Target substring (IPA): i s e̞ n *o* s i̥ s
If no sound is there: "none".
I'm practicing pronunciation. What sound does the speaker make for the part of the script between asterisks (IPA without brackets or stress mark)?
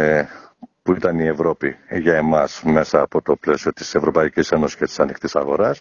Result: o